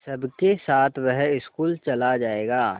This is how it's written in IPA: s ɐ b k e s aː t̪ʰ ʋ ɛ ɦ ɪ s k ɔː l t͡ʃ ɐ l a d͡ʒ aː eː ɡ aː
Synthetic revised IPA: s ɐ b k e s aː t̪ʰ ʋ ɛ ɦ ɪ s k uː l t͡ʃ ɐ l a d͡ʒ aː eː ɡ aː